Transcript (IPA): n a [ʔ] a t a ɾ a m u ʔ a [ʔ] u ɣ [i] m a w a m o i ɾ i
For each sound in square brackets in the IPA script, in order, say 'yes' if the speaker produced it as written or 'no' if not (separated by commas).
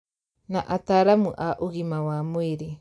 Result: yes, yes, yes